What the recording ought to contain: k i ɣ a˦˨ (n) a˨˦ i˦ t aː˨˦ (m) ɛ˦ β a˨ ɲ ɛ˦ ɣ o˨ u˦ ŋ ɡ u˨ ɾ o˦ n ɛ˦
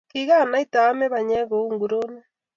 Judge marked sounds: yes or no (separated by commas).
yes, yes